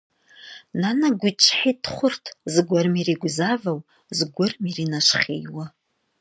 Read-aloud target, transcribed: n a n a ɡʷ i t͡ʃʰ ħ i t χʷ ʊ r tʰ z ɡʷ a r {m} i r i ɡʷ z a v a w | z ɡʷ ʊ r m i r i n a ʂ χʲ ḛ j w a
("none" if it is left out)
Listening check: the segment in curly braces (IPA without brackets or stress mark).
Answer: m